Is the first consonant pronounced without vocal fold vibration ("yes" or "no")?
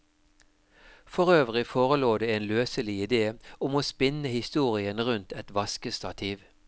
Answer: yes